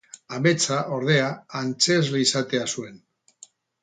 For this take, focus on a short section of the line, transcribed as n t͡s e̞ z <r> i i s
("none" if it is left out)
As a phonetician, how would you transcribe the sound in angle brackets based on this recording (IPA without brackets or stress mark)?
l